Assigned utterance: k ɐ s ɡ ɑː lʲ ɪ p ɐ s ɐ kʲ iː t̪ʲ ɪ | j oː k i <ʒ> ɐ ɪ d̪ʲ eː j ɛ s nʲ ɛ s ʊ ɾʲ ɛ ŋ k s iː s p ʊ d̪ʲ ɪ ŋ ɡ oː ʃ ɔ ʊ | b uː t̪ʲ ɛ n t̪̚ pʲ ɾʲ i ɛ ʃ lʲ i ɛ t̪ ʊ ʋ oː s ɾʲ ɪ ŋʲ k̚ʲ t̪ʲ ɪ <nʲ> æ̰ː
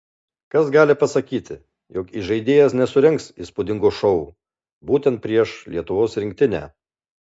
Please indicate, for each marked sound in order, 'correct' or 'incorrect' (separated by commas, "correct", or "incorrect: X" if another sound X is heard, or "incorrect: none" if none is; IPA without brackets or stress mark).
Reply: correct, correct